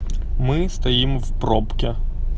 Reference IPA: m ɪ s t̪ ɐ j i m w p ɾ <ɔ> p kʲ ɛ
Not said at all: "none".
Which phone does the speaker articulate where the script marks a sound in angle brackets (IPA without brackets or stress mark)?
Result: ɔ